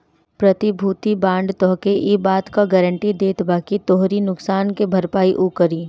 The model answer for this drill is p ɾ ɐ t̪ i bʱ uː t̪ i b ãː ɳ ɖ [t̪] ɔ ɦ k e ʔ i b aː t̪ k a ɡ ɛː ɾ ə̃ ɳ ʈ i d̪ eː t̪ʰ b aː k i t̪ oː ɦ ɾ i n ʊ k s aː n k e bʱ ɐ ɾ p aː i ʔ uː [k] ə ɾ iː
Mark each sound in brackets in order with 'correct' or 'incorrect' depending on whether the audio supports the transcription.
correct, correct

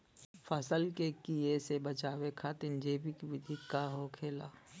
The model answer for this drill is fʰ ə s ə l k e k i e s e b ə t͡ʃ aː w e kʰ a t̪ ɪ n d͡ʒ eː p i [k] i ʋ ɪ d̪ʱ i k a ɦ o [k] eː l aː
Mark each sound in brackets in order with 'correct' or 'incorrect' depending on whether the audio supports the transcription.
correct, incorrect

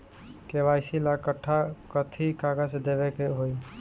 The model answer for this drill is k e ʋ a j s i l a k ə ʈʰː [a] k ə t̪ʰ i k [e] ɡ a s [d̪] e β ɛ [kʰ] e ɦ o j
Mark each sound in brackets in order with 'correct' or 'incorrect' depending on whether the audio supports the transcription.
correct, incorrect, correct, incorrect

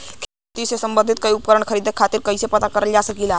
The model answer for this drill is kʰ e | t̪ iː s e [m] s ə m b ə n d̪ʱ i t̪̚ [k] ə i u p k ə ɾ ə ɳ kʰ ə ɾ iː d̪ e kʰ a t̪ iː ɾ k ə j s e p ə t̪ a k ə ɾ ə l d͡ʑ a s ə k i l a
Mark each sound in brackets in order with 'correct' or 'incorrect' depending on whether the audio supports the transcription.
incorrect, correct

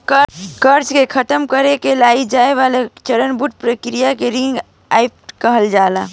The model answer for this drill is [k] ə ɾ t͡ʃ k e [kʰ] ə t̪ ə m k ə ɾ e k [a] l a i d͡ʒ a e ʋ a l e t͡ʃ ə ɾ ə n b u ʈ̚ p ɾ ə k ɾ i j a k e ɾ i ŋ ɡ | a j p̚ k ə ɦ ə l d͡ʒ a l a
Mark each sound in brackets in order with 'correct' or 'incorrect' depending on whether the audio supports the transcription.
correct, correct, incorrect

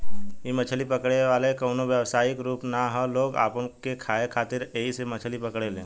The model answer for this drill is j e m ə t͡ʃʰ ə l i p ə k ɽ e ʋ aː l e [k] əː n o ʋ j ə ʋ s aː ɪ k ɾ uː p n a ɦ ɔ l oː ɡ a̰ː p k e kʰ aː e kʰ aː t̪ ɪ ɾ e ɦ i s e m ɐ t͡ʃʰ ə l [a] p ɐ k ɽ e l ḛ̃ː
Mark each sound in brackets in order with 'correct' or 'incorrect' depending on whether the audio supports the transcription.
correct, incorrect

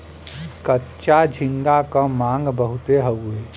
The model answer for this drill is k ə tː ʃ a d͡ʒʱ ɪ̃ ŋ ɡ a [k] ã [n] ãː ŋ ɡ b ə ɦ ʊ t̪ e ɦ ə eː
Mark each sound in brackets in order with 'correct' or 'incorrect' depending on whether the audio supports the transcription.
correct, incorrect

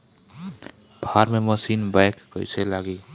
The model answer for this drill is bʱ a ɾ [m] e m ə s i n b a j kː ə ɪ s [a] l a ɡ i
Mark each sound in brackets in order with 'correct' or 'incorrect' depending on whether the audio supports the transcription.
correct, incorrect

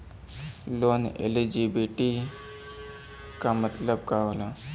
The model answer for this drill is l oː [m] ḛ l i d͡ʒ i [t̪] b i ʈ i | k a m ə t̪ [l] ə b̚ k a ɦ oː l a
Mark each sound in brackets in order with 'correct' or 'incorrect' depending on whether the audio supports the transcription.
incorrect, incorrect, correct

